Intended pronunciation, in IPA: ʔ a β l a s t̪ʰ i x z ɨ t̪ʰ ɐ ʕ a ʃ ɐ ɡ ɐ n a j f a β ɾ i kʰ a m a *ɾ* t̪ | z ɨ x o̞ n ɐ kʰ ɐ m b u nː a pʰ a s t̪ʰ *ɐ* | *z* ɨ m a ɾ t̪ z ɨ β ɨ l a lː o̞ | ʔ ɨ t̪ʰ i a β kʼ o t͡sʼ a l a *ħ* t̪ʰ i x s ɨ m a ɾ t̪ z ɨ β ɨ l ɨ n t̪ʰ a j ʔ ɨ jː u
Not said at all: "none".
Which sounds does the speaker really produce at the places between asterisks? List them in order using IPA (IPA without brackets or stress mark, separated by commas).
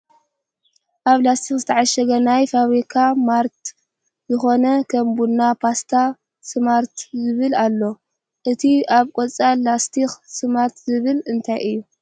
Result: ɾ, a, s, s